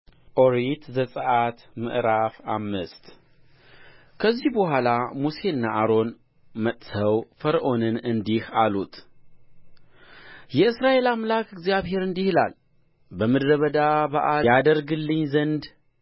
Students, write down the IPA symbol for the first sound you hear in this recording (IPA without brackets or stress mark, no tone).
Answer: ʔ